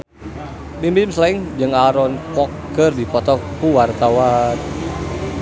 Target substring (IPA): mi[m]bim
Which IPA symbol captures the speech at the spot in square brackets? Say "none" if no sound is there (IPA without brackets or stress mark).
m